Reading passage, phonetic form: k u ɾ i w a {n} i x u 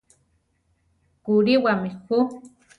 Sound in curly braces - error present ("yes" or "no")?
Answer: yes